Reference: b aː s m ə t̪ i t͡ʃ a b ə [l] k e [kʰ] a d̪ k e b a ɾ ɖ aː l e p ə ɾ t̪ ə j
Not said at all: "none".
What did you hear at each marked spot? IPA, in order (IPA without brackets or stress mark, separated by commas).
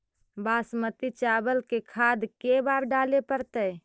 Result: l, kʰ